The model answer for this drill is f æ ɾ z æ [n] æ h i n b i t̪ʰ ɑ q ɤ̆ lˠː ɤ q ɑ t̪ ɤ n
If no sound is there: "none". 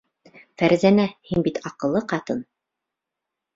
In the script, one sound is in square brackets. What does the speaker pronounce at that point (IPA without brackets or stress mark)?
n